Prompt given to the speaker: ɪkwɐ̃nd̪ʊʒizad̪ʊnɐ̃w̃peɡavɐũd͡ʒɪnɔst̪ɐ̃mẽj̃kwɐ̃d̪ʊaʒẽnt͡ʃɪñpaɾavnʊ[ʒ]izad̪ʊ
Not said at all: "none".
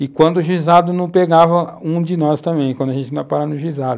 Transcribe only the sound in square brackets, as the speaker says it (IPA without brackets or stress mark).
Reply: ʒ